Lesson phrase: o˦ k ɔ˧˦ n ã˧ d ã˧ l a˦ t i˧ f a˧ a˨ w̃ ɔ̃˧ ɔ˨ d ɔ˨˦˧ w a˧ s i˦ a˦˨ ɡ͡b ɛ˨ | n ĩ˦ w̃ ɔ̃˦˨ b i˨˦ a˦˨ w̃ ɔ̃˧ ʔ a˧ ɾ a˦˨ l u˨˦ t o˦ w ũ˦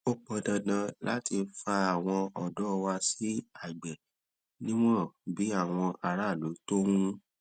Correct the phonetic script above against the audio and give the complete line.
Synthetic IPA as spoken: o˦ k͡p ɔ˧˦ d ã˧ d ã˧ l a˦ t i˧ f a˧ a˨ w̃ ɔ̃˧ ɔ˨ d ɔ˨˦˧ w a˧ s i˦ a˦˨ ɡ͡b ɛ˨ | n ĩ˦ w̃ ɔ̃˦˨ b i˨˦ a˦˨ w̃ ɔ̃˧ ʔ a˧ ɾ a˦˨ l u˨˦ t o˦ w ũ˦

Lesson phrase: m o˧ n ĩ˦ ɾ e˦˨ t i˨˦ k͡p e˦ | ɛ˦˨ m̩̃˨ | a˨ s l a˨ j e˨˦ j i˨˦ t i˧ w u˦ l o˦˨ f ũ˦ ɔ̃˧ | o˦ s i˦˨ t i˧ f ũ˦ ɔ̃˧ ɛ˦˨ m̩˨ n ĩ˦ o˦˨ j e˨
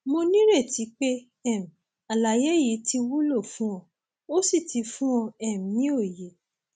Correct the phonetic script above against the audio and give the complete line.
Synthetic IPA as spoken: m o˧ n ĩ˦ ɾ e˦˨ t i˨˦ k͡p e˦ | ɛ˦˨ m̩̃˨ | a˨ l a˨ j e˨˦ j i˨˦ t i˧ w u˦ l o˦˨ f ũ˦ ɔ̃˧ | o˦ s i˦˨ t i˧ f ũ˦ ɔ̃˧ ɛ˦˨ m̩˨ n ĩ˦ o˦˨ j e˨

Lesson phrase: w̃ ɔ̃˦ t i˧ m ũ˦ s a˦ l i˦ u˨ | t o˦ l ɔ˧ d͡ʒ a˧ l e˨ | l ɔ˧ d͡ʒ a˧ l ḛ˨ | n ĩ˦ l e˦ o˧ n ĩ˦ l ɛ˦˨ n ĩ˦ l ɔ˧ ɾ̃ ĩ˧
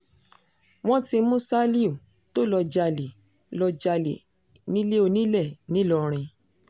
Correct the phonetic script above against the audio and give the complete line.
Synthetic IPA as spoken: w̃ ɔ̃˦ t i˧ m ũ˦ s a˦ l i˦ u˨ | t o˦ l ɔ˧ d͡ʒ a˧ l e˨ | l ɔ˧ d͡ʒ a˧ l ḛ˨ | n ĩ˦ l e˦ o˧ n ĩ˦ l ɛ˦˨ n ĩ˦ l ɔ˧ ɾ̃ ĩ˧

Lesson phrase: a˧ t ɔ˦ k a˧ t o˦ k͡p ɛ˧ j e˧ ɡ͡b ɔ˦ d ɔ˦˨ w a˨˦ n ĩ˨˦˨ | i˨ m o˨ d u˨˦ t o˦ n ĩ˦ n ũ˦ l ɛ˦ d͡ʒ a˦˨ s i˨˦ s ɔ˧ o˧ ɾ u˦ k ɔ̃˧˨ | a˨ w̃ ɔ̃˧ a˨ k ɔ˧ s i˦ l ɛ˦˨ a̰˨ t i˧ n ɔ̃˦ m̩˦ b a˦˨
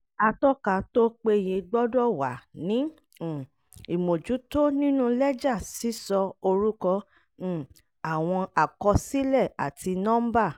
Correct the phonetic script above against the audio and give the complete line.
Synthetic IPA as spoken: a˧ t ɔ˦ k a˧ t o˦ k͡p e˧ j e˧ ɡ͡b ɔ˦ d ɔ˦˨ w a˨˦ n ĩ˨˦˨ | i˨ m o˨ d͡ʒ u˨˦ t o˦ n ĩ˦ n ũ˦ l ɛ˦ d͡ʒ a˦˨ s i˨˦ s ɔ˧ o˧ ɾ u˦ k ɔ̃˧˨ | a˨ w̃ ɔ̃˧ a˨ k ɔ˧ s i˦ l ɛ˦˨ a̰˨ t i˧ n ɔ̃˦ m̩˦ b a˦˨

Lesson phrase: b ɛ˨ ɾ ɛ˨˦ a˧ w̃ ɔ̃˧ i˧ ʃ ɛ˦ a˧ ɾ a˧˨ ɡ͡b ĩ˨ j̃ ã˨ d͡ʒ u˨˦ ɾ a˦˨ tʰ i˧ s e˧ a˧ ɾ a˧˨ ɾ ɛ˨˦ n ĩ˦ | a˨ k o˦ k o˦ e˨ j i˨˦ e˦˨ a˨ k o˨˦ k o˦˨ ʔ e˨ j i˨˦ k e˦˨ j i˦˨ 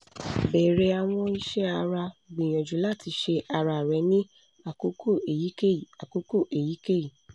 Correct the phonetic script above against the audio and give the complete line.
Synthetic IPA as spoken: b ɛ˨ ɾ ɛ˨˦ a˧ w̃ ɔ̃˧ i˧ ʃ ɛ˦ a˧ ɾ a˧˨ ɡ͡b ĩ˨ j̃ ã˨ d͡ʒ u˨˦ l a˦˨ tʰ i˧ ʃ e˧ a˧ ɾ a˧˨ ɾ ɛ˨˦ n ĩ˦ | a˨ k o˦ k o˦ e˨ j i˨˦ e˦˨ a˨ k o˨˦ k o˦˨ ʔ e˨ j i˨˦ k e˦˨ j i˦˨

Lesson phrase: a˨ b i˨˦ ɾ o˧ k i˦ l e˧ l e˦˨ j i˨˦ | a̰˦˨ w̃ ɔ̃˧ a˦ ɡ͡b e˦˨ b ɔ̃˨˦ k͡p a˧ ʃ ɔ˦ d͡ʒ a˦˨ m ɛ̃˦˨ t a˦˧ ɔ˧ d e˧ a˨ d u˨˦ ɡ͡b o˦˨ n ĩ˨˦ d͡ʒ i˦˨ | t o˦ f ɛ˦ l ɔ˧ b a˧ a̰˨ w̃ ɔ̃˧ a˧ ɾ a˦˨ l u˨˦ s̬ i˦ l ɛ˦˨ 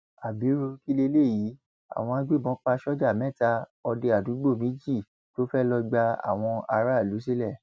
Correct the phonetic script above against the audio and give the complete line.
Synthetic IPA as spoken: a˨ b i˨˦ ɾ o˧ k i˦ l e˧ l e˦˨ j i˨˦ | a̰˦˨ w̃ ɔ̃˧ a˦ ɡ͡b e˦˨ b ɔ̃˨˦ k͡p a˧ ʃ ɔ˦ d͡ʒ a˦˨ m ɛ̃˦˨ t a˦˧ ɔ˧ d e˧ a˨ d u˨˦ ɡ͡b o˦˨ m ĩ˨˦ d͡ʒ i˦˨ | t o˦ f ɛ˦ l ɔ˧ ɡ͡b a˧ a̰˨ w̃ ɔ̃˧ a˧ ɾ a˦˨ l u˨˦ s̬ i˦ l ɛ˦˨

